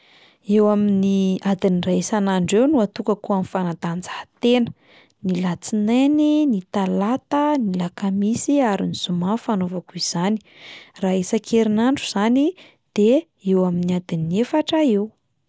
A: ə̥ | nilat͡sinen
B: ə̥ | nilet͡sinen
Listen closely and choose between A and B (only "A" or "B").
A